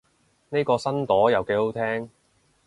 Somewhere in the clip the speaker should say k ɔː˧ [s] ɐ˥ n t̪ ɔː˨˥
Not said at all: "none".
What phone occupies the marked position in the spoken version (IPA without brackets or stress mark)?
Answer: s